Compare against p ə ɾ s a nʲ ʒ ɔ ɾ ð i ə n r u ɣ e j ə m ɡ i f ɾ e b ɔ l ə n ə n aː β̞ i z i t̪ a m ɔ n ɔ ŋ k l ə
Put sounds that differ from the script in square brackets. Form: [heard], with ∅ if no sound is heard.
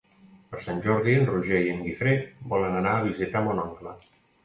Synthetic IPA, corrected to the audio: p ə ɾ s a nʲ ʒ ɔ ɾ ð i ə n r u [ʒ] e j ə [ŋ] ɡ i f ɾ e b ɔ l ə n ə n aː β̞ i z i t̪ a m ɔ n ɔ ŋ k l ə